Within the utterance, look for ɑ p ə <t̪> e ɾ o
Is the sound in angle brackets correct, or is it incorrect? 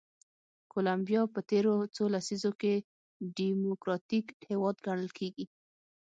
correct